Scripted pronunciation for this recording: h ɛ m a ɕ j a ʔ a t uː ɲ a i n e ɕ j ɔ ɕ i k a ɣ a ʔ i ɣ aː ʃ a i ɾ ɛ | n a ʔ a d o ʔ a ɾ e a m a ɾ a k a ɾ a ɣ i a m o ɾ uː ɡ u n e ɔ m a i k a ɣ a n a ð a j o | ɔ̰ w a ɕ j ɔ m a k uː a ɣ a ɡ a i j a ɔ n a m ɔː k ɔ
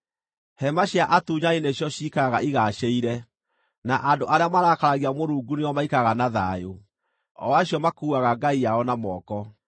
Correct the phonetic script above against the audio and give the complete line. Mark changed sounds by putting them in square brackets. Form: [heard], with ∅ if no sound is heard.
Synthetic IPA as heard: h ɛ m a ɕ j a ʔ a t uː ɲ a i n e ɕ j ɔ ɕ i k a ɣ a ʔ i ɣ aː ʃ [e] i ɾ ɛ | n a ʔ a d o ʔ a ɾ e a m a ɾ a k a ɾ a ɣ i a m o ɾ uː ɡ u n e ɔ m a i k a ɣ a n a ð a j o | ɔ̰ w a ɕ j ɔ m a k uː a ɣ a ɡ a i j a ɔ n a m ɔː k ɔ